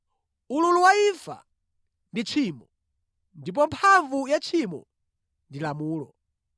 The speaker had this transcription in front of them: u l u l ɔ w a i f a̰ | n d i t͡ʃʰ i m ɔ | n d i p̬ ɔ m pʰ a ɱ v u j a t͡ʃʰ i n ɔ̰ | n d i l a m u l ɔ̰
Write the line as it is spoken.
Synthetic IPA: u l u l u w a i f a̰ | n d i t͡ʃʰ i m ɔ | n d i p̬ ɔ m pʰ a ɱ v u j a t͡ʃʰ i m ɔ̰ | n d i l a m uː l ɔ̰